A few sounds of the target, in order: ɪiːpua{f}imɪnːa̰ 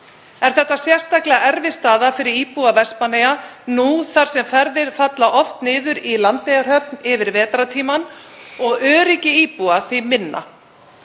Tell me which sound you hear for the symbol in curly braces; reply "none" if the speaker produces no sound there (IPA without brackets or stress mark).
θ